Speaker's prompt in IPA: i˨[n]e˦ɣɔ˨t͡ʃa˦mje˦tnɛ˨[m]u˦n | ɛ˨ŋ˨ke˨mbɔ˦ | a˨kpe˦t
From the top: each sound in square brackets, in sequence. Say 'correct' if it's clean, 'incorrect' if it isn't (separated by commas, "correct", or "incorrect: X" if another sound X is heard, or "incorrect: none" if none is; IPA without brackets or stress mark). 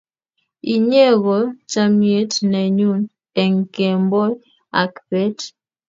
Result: incorrect: ɲ, incorrect: ɲ